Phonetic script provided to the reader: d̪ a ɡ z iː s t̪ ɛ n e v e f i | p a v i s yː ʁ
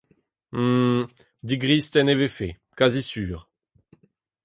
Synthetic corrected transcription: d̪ i ɡ ʁ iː s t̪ ɛ n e v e f e | k a z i s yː ʁ